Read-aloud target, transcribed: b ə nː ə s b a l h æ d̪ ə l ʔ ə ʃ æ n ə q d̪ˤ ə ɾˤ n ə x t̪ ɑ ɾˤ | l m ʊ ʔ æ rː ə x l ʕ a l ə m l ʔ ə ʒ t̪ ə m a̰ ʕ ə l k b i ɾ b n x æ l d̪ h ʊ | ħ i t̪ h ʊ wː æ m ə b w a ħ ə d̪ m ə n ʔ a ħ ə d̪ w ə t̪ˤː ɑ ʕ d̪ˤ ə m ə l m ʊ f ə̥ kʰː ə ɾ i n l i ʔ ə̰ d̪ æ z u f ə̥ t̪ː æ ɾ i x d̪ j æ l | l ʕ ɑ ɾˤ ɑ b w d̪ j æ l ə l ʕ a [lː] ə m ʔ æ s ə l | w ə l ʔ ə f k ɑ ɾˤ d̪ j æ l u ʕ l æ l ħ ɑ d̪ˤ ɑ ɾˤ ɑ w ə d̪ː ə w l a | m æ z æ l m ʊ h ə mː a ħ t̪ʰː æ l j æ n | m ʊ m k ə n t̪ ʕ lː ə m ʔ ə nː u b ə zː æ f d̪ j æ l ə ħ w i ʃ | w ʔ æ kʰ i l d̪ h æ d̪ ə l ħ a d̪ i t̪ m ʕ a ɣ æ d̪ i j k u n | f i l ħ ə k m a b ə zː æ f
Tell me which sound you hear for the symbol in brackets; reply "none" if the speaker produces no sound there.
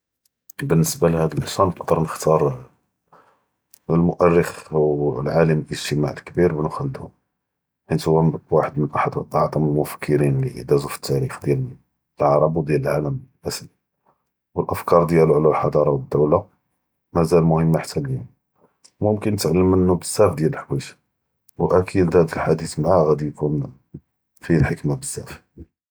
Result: l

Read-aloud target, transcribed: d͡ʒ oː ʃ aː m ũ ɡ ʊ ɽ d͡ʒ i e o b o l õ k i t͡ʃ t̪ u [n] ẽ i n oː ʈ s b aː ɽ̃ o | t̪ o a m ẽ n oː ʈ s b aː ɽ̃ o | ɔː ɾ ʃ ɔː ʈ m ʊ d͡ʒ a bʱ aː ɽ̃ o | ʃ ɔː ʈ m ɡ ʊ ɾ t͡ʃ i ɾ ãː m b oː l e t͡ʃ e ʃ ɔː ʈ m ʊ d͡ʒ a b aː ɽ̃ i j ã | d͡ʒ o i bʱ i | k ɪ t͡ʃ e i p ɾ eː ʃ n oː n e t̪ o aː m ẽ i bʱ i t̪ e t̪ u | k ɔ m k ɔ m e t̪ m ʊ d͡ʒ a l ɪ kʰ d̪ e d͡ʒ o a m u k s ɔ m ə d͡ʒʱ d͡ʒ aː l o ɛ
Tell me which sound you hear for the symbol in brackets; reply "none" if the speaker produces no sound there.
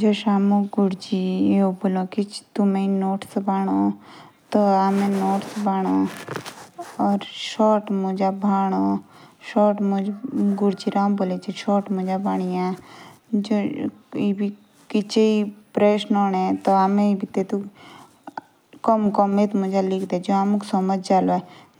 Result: m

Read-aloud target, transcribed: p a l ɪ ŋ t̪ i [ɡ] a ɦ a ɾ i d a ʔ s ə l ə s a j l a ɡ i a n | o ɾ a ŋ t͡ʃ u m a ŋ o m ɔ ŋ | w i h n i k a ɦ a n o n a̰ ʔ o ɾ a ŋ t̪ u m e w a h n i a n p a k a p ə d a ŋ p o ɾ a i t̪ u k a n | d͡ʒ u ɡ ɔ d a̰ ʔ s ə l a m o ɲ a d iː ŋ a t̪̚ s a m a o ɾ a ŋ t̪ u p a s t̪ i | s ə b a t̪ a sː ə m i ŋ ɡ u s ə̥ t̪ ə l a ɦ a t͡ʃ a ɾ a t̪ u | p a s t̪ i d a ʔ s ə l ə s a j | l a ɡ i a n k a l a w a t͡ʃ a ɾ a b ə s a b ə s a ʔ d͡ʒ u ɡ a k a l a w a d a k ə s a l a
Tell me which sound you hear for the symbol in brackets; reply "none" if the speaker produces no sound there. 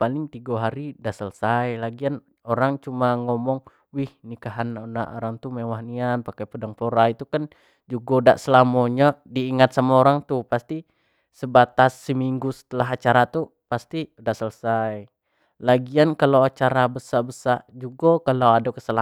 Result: ɡ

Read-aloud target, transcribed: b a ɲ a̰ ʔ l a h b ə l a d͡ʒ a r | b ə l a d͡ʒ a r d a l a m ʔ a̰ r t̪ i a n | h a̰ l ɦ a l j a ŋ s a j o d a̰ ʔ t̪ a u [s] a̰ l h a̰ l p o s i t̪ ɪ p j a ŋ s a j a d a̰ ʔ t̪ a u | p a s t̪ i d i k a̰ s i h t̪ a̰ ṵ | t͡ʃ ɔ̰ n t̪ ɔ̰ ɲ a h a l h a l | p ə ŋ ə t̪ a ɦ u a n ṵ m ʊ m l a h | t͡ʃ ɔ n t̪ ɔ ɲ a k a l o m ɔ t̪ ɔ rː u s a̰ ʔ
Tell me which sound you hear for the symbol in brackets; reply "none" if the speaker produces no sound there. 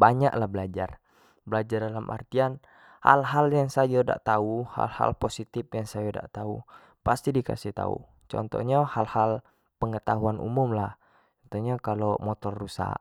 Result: h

